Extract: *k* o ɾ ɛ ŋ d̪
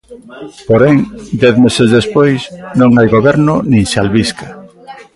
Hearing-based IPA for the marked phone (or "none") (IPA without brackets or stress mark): p